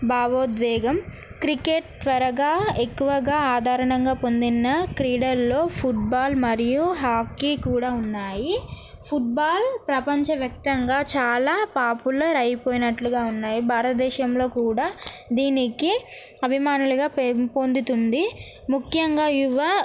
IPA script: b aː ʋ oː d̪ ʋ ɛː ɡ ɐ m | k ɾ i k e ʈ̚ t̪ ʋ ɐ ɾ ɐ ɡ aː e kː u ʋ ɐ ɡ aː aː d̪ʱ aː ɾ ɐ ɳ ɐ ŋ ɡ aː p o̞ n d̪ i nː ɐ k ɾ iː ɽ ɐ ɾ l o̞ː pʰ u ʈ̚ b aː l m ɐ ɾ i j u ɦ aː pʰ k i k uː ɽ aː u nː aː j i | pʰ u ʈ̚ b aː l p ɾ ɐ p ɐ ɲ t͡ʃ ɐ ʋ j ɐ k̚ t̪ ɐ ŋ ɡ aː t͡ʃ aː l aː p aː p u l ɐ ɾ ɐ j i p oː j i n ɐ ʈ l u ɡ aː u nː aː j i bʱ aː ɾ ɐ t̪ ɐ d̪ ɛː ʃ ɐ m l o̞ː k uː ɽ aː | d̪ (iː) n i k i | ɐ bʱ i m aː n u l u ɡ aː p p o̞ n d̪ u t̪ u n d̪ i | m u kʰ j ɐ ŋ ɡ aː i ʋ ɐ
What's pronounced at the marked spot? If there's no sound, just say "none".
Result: iː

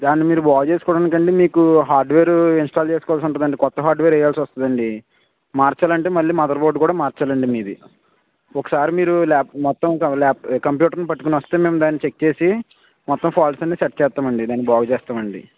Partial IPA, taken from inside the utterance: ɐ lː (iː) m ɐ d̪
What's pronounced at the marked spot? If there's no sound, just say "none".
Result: iː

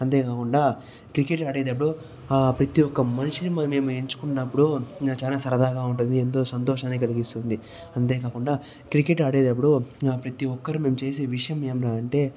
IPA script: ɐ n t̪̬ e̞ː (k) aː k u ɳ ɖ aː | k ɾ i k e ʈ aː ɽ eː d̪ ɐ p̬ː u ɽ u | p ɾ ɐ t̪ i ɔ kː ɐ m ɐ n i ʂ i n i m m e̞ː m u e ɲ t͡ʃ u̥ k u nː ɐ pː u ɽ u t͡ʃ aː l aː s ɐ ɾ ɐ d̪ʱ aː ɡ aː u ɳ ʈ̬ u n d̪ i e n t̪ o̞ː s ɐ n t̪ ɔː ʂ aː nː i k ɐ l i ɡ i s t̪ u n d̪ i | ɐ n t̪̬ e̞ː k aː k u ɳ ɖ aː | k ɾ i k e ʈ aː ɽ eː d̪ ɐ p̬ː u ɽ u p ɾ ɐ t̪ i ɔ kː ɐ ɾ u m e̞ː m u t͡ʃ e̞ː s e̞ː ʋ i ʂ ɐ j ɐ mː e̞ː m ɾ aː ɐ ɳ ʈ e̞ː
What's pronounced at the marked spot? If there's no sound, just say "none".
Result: k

